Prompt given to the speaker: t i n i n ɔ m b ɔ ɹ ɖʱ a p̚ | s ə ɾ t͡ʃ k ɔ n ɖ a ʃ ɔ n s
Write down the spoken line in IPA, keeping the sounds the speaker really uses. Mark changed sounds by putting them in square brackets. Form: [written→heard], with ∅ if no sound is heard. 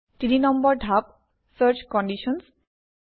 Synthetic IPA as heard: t i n i n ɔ m b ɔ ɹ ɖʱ a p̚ | s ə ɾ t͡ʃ k ɔ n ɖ [a→i] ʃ ɔ n s